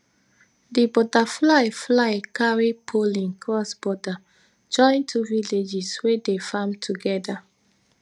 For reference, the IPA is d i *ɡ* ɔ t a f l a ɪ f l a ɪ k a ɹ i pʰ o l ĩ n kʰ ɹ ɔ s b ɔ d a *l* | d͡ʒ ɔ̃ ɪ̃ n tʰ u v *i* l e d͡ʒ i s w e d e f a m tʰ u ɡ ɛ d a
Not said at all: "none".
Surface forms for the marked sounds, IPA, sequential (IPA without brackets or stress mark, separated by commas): b, none, i